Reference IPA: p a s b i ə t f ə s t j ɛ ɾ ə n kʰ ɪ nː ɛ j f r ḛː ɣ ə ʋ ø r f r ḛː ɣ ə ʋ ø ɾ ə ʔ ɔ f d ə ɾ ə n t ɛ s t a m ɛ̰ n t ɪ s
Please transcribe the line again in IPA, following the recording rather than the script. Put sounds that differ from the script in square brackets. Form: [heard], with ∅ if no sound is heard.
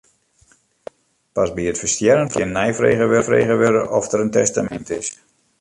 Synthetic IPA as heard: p a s b i ə t f ə s t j ɛ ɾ ə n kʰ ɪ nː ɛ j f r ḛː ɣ ə ʋ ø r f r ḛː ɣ ə ʋ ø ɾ ə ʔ ɔ f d ə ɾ ə n t ɛ s t a m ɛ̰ n t ɪ s